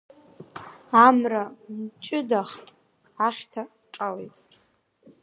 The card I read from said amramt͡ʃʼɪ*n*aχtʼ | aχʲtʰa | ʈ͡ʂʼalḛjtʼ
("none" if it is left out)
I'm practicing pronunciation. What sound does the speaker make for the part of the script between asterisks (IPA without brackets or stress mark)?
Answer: d